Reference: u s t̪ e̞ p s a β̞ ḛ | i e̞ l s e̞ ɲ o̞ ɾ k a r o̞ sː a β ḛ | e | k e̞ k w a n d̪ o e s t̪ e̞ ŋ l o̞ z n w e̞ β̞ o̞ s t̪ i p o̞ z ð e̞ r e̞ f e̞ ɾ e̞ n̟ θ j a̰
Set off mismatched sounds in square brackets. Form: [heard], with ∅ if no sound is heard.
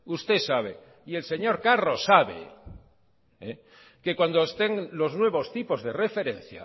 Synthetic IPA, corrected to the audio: u s t̪ e̞ [∅] s a β̞ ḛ | i e̞ l s e̞ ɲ o̞ ɾ k a r o̞ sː a β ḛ | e | k e̞ k w a n d̪ o e s t̪ e̞ ŋ l o̞ z n w e̞ β̞ o̞ s t̪ i p o̞ z ð e̞ r e̞ f e̞ ɾ e̞ n̟ θ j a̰